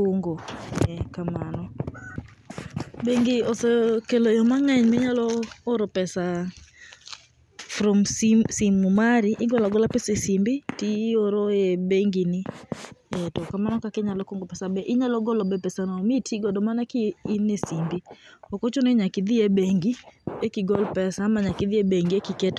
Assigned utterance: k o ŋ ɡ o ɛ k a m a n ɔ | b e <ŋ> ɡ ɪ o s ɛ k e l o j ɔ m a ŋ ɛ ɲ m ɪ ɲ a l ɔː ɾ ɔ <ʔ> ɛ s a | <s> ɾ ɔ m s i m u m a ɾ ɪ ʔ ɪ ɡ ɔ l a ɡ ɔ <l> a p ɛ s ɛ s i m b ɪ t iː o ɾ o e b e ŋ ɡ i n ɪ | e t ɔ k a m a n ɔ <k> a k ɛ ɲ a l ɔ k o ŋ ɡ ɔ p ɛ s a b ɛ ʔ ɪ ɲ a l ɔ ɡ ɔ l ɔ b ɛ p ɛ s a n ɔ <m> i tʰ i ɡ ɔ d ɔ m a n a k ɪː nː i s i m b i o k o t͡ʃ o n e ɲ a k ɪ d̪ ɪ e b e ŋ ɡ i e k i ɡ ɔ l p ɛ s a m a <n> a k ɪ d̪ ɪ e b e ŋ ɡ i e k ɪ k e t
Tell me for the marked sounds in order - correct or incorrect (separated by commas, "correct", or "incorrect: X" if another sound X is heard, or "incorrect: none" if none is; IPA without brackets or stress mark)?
correct, incorrect: p, incorrect: f, correct, correct, correct, incorrect: ɲ